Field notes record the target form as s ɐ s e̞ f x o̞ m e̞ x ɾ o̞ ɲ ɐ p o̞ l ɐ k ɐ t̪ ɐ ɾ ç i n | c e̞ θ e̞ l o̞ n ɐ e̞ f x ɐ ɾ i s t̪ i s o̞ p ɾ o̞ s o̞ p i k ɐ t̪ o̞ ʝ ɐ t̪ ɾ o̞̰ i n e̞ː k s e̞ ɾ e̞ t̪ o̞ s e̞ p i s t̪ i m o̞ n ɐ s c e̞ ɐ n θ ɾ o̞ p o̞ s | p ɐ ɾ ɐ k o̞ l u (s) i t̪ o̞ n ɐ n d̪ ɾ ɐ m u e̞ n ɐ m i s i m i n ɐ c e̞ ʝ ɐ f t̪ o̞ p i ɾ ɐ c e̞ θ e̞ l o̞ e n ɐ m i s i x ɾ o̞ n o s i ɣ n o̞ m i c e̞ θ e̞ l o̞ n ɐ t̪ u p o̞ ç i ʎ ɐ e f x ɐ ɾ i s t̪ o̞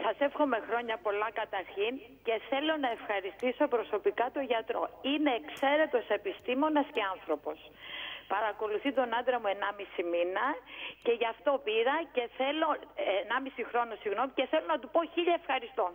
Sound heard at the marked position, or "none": θ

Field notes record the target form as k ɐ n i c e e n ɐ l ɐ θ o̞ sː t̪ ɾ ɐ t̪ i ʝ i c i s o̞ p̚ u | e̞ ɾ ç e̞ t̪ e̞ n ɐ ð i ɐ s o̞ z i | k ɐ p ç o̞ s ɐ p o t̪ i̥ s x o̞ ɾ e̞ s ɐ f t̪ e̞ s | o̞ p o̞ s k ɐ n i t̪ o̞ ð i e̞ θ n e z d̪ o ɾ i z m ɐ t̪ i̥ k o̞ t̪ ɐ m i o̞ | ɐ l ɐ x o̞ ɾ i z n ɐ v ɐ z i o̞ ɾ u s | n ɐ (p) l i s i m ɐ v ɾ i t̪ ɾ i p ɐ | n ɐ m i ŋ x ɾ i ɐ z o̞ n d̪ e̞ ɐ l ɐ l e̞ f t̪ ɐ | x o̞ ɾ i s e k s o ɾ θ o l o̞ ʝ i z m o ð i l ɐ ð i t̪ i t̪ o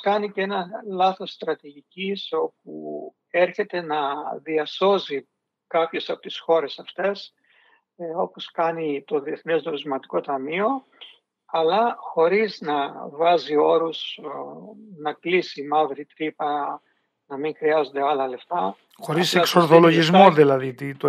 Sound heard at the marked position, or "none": k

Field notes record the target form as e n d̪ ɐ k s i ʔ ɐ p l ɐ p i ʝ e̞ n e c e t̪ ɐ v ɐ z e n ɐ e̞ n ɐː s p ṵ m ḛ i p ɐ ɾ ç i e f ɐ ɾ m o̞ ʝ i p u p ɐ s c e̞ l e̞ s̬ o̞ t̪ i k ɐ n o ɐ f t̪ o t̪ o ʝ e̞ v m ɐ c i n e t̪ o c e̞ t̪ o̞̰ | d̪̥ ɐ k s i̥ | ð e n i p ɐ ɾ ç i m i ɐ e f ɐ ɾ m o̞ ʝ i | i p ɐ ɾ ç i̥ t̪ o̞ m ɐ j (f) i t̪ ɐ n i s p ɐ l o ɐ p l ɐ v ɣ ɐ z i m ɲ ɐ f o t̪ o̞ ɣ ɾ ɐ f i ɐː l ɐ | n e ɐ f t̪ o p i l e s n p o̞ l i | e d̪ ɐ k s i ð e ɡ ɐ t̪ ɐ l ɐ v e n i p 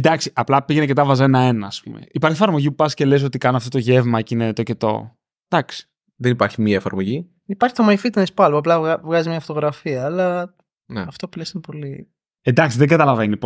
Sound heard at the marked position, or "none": f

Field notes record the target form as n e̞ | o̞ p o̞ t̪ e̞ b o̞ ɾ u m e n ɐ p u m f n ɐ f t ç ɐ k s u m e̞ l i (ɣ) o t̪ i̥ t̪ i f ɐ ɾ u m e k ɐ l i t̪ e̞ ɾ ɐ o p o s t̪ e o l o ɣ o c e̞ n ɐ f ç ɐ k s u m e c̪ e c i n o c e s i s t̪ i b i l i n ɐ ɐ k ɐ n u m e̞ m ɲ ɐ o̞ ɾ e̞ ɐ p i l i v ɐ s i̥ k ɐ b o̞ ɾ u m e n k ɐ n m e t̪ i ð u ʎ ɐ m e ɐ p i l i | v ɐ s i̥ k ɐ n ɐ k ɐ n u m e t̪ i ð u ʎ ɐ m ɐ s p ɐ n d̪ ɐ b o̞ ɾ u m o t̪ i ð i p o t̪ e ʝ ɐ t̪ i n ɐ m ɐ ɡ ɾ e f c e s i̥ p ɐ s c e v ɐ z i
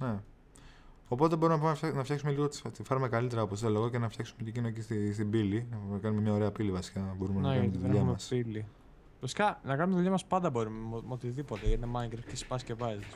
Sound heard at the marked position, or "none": ɣ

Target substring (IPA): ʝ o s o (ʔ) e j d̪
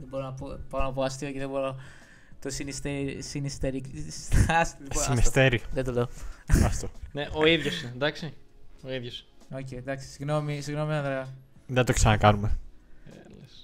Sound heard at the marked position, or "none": c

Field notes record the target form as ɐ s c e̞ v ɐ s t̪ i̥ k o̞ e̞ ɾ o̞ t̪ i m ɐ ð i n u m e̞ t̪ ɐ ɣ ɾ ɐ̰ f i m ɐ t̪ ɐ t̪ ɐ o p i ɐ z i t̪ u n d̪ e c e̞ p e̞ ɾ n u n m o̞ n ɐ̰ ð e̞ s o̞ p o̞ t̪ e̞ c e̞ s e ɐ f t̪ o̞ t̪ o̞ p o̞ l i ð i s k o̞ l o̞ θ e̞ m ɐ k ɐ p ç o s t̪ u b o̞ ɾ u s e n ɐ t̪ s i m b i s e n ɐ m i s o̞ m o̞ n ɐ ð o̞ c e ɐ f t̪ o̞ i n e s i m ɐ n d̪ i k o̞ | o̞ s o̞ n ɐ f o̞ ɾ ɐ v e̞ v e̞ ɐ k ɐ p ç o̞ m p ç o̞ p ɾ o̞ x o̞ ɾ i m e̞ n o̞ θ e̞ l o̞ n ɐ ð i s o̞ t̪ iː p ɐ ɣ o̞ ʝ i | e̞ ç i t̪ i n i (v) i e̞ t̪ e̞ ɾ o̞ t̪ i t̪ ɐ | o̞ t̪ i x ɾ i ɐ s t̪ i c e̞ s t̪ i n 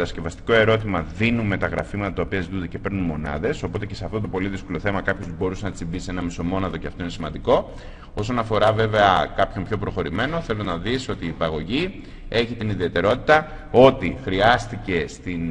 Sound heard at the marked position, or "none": ð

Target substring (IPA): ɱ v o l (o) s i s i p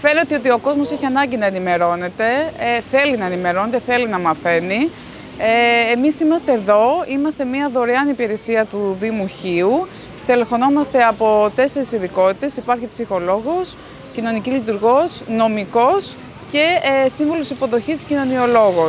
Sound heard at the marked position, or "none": o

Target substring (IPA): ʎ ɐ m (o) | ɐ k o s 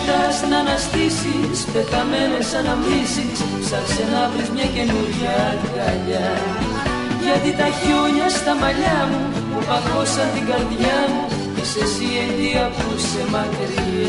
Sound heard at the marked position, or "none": u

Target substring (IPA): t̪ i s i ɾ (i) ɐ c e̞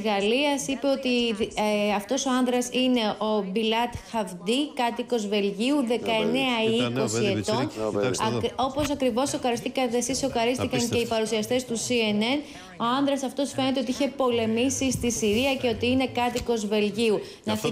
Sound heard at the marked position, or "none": i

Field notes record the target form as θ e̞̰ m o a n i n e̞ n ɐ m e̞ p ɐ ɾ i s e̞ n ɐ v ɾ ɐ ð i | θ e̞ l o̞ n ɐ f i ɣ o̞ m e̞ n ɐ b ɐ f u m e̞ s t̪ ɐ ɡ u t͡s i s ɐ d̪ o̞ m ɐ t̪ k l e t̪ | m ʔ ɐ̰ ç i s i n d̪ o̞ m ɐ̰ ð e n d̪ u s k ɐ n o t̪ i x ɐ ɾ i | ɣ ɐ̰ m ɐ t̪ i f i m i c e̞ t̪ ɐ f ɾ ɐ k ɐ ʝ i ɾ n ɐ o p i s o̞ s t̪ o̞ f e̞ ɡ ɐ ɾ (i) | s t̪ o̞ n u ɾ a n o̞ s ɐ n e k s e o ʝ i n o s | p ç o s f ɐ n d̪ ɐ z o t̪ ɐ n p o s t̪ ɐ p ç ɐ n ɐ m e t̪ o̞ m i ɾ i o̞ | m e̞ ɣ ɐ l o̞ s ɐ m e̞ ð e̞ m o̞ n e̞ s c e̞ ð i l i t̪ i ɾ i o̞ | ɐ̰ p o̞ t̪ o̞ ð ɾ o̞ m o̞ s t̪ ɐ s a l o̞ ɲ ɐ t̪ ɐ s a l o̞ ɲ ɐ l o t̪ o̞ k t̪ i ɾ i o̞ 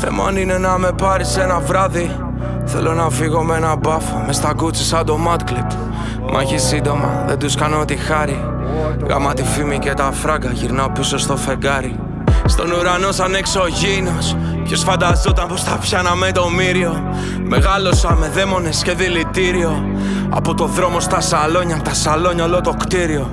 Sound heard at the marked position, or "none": i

